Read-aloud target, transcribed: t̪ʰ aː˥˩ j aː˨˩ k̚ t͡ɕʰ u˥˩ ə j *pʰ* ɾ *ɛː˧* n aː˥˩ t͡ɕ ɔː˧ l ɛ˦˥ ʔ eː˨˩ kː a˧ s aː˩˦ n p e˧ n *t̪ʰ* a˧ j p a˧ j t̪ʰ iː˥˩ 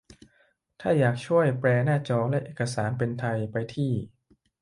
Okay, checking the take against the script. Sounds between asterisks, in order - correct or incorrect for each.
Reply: incorrect, correct, correct

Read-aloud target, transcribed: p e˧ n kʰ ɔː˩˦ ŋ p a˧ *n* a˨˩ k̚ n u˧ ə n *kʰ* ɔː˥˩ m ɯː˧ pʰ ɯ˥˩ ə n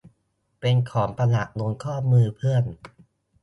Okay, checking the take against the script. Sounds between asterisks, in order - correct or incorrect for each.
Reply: correct, correct

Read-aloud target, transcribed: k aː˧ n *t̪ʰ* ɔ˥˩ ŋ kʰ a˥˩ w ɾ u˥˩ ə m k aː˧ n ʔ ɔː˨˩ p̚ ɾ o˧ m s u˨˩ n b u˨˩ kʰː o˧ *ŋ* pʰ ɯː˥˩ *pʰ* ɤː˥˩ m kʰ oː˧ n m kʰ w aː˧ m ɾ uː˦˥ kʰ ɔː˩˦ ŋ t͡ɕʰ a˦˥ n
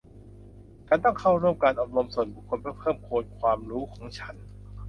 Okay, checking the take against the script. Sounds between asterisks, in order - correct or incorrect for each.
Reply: incorrect, incorrect, correct

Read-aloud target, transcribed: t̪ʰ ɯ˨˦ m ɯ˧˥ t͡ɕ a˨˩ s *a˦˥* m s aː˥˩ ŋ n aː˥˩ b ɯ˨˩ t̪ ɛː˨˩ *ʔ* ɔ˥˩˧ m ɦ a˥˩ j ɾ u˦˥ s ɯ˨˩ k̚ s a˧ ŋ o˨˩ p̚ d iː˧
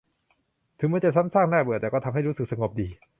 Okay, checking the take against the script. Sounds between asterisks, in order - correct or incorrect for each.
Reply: correct, incorrect

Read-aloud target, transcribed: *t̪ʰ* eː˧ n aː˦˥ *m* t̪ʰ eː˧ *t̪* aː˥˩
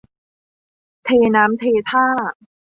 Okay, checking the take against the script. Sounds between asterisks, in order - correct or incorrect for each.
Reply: correct, correct, incorrect

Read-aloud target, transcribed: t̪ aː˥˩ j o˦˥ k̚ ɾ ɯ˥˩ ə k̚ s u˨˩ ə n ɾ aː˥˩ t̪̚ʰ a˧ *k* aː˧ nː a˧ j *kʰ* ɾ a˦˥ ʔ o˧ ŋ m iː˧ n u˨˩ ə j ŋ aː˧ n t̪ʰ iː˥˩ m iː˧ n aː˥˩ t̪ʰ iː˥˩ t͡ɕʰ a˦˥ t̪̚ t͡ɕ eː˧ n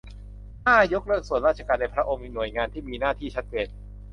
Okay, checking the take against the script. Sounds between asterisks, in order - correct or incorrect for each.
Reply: correct, incorrect

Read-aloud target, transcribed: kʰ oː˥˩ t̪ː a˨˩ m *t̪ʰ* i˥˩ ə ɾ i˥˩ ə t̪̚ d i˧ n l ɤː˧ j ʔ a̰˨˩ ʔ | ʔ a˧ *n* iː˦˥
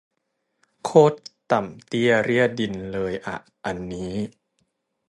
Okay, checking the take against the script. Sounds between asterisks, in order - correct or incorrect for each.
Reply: incorrect, incorrect

